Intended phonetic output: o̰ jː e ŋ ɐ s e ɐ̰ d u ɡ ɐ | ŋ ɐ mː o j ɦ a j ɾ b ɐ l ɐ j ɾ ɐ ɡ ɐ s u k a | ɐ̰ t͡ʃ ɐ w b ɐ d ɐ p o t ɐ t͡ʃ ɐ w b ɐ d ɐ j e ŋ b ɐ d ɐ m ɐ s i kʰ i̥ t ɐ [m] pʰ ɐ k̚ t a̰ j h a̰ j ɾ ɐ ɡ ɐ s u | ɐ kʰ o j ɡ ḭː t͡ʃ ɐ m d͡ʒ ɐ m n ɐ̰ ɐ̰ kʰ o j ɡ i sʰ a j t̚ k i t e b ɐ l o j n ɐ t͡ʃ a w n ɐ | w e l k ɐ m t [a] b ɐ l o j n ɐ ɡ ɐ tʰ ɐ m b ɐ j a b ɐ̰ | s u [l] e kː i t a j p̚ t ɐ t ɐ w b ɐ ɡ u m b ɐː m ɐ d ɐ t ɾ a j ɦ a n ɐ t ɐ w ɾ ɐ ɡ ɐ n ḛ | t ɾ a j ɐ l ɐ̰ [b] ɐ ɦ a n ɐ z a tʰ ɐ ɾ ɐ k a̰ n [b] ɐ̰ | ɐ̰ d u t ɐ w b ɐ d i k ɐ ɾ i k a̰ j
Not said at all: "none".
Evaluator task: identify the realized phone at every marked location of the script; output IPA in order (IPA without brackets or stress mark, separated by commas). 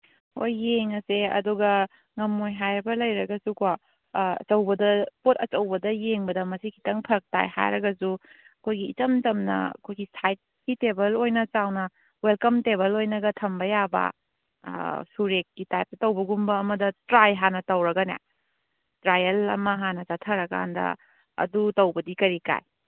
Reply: ŋ, e, ɾ, m, d